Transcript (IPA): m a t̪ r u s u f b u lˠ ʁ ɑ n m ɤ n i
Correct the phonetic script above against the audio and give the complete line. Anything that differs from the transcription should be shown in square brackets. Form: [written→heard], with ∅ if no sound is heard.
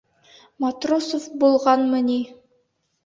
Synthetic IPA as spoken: m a t̪ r [u→o] s [u→o] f b u lˠ ʁ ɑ n m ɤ n i